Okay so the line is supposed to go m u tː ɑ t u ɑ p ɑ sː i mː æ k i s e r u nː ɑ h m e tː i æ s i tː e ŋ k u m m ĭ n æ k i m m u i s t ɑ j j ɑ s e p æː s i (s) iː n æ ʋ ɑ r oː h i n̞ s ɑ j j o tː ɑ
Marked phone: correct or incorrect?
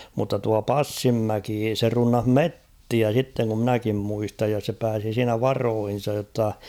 correct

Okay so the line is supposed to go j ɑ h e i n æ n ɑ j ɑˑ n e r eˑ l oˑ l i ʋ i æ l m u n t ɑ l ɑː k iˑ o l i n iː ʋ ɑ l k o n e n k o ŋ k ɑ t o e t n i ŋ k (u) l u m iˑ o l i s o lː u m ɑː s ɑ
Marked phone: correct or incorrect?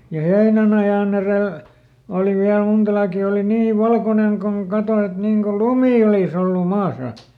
incorrect: o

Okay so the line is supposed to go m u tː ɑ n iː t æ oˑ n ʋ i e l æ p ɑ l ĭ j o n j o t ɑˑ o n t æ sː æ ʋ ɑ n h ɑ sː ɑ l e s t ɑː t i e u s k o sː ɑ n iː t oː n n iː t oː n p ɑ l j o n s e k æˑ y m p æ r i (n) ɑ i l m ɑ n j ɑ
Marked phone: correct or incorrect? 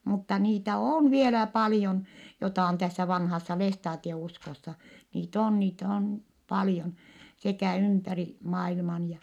incorrect: m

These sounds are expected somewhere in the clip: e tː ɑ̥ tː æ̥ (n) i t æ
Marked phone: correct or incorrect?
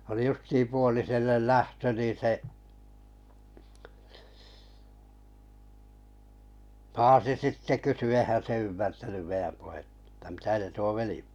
incorrect: m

